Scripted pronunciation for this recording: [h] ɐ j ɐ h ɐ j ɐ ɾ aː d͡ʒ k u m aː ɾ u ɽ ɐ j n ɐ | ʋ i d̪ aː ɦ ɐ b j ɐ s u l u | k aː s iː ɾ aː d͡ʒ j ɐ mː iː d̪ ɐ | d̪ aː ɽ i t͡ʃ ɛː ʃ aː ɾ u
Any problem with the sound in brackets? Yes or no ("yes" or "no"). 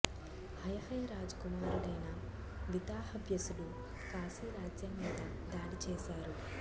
no